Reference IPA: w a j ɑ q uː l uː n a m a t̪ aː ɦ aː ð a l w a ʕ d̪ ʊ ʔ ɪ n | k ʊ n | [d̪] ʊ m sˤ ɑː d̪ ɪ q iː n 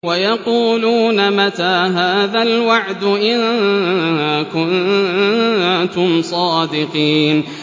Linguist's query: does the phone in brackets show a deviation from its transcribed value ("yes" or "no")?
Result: yes